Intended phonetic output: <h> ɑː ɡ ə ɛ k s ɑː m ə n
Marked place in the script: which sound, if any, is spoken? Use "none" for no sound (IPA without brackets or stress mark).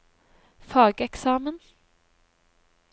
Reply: f